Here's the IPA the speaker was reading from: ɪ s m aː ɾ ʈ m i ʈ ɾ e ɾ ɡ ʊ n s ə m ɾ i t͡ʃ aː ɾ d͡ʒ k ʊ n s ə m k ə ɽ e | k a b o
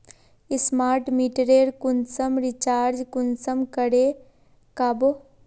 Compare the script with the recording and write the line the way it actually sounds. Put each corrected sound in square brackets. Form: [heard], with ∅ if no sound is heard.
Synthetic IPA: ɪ s m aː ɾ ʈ m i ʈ ɾ e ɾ [k] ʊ n s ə m ɾ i t͡ʃ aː ɾ d͡ʒ k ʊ n s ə m k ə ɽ e | k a b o